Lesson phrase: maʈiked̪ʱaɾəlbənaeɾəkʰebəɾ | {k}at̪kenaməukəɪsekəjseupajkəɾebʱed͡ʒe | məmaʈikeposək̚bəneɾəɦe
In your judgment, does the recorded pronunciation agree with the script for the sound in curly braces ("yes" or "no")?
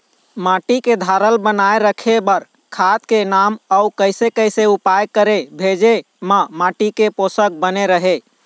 no